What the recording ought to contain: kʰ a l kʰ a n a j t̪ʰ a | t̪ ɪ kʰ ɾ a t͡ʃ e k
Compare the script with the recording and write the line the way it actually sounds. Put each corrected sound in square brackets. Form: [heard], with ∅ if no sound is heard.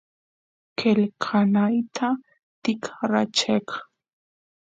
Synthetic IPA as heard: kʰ [e] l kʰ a n a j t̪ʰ a | t̪ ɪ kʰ ɾ a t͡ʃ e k